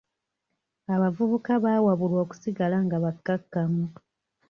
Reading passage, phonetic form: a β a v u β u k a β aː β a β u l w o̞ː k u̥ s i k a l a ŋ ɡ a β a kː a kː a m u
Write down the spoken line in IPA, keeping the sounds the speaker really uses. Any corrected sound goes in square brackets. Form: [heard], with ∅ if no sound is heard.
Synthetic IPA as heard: a β a v u β u k a β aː [w] a β u l w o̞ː k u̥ s i [ɡ] a l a ŋ ɡ a β a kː a kː a m u